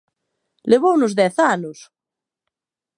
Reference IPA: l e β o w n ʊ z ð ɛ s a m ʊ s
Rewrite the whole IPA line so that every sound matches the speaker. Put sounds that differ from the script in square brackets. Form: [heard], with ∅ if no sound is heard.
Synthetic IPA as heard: l e β o w n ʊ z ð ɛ [θ] a [n] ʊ s